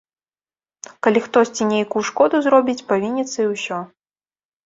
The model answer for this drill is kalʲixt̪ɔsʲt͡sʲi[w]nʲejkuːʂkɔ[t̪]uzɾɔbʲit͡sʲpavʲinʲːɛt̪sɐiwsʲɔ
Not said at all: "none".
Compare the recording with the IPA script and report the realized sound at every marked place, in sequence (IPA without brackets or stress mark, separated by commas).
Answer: none, d̪